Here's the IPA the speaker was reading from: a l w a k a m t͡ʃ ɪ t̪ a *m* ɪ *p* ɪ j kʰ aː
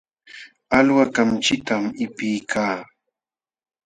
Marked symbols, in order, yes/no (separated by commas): yes, yes